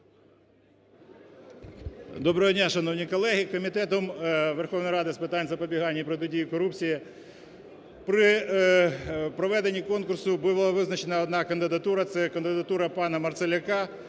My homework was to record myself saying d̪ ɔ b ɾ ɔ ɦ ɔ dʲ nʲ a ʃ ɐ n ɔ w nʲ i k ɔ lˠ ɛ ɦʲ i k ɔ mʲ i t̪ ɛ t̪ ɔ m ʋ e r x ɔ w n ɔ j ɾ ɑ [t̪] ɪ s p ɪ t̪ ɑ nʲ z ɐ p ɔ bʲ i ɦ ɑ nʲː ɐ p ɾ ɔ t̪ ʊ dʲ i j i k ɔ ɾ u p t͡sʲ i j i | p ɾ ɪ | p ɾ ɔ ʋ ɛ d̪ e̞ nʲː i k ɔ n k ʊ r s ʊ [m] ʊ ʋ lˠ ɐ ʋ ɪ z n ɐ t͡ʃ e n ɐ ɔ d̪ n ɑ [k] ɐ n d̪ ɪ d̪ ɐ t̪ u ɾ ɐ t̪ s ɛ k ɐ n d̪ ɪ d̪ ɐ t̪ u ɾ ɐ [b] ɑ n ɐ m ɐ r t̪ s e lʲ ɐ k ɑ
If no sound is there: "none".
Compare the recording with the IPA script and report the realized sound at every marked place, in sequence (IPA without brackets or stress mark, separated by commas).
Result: d̪, b, k, p